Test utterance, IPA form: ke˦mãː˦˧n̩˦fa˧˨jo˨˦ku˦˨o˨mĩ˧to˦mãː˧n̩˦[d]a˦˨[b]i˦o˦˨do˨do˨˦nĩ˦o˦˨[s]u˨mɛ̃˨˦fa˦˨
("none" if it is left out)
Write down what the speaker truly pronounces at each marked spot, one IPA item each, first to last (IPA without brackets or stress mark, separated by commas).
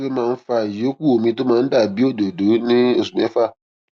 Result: d, b, s